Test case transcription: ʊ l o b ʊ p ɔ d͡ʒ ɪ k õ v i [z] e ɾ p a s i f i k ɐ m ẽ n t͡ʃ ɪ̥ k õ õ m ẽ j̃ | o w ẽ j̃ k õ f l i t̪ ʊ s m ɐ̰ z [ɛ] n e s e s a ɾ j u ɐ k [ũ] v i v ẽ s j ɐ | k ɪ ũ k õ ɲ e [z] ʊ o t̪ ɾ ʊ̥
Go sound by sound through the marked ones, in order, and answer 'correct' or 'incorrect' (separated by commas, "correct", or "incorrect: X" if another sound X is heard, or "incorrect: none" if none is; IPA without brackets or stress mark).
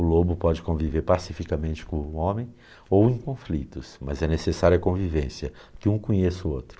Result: incorrect: v, correct, incorrect: õ, incorrect: s